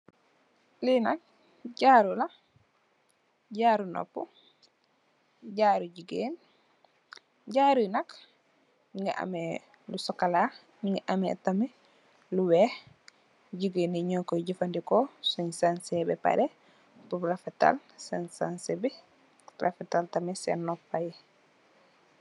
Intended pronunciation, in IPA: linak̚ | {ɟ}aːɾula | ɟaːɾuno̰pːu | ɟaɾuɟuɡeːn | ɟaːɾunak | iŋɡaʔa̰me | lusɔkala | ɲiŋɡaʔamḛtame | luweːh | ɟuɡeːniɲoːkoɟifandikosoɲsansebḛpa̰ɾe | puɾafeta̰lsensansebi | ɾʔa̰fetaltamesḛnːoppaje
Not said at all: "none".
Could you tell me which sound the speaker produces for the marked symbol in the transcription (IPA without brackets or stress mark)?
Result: ɟ